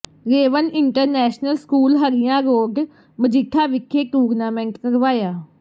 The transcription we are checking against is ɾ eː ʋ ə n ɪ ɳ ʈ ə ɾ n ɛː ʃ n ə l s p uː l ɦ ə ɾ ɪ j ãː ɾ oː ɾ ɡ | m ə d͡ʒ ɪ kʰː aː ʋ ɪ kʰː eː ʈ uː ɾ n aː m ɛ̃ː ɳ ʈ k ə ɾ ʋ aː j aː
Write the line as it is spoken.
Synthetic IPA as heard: ɾ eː ʋ ə n ɪ ɳ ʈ ə ɾ n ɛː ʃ n ə l s k uː l ɦ ə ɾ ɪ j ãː ɾ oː ɡ | m ə d͡ʒ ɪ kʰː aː ʋ ɪ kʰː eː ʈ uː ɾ n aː m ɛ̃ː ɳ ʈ k ə ɾ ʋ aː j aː